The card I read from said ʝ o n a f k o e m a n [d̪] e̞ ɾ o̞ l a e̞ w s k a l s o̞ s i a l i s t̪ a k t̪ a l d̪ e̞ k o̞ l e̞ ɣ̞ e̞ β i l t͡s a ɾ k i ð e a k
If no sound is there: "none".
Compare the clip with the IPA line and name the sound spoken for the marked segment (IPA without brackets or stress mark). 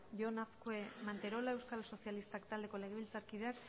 t̪